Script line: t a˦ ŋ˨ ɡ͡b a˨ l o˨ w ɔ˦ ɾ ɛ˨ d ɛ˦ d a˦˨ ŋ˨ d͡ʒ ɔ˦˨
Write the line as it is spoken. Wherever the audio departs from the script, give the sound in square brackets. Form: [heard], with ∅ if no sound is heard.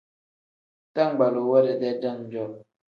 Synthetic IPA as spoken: t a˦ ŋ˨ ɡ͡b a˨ l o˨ w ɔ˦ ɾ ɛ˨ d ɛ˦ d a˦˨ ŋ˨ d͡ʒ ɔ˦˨